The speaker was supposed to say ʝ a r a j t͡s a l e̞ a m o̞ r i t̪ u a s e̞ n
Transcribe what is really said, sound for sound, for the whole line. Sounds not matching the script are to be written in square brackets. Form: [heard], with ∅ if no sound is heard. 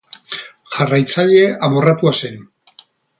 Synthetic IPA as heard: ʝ a r a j t͡s a [ʎ] e̞ a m o̞ r [a] t̪ u a s e̞ n